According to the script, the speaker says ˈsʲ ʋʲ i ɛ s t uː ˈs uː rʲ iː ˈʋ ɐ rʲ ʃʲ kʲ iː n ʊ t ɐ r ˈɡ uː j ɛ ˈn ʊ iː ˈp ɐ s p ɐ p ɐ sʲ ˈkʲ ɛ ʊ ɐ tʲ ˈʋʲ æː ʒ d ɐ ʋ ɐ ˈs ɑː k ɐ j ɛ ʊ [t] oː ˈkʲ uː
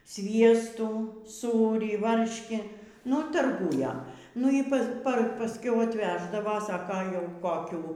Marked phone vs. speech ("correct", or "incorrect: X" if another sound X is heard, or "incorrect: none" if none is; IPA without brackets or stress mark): incorrect: k